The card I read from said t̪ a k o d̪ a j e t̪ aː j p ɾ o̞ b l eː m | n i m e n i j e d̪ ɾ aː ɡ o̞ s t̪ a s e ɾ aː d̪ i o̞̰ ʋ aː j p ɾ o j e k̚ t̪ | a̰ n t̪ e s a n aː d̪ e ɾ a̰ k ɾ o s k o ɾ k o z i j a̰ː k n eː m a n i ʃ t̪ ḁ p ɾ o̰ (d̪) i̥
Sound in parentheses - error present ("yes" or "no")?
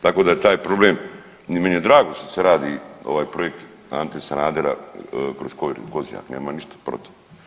yes